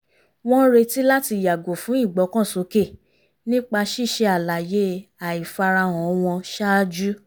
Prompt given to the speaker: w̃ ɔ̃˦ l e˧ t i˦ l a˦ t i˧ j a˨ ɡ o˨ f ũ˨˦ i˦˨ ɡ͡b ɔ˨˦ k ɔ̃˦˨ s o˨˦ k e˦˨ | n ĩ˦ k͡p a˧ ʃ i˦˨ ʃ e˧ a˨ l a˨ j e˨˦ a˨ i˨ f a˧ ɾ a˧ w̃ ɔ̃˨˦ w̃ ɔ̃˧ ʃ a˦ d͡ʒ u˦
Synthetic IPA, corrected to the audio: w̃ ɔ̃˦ ɾ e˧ t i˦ l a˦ t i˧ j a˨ ɡ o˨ f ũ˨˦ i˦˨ ɡ͡b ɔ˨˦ k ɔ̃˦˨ s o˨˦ k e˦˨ | n ĩ˦ k͡p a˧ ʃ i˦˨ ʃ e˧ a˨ l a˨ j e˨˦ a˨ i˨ f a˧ ɾ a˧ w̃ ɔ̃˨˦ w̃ ɔ̃˧ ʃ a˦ d͡ʒ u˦